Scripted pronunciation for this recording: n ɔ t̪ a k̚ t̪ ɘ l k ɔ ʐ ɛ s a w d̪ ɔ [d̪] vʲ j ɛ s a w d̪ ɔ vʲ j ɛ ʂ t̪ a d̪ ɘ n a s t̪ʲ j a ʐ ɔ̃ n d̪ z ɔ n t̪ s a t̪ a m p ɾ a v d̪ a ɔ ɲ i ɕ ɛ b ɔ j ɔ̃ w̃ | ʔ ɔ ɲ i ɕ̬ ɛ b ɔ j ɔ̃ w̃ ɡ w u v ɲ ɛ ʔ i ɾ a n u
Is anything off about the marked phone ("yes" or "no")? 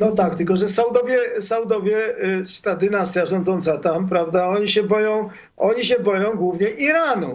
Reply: yes